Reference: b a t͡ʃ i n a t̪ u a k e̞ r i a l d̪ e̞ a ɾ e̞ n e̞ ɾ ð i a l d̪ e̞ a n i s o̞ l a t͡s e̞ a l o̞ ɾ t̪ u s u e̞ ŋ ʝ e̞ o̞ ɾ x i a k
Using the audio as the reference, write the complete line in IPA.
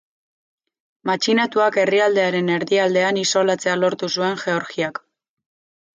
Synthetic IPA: m a t͡ʃ i n a t̪ u a k e̞ r i a l d̪ e̞ a ɾ e̞ n e̞ ɾ ð i a l d̪ e̞ a n i s o̞ l a t͡s e̞ a l o̞ ɾ t̪ u s u e̞ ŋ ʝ e̞ o̞ ɾ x i a k